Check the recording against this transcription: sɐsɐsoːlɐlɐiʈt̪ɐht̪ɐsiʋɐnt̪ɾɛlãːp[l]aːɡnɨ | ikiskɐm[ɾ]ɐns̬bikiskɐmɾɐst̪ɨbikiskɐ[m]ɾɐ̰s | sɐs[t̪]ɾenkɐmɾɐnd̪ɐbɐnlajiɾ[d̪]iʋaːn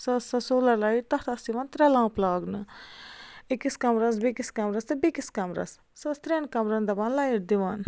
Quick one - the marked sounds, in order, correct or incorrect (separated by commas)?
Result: correct, correct, correct, correct, correct